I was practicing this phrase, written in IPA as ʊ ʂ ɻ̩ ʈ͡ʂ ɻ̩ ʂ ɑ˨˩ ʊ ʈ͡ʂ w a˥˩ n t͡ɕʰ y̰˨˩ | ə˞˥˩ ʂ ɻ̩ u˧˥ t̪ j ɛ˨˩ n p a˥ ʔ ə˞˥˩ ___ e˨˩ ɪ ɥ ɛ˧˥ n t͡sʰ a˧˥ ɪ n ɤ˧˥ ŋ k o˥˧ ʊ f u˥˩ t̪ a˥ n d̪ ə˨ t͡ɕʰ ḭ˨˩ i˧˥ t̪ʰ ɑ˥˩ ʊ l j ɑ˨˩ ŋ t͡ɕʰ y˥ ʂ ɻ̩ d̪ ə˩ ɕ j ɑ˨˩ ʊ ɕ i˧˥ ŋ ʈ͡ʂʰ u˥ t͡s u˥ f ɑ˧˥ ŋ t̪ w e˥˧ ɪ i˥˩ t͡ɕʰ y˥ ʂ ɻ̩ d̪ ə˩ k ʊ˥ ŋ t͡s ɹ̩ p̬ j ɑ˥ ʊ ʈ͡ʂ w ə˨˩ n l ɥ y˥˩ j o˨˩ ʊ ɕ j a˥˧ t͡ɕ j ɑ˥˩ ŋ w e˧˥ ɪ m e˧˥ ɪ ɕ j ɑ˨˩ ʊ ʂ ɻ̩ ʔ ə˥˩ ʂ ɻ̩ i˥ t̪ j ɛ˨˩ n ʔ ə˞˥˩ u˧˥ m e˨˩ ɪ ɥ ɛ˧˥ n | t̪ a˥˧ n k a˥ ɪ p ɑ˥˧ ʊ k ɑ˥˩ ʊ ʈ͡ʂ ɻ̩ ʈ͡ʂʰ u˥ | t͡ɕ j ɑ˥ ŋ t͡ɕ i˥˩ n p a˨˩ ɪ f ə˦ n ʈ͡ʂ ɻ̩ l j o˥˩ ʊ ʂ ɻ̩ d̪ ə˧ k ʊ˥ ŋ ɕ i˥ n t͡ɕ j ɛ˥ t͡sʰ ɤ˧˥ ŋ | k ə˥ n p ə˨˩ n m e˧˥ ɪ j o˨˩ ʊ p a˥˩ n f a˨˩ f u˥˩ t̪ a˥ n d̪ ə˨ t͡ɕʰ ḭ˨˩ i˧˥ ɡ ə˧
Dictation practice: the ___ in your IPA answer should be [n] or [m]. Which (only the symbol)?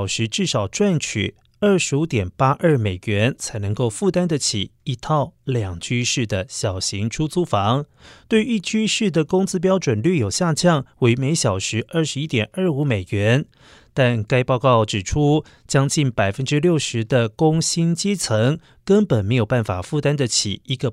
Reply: m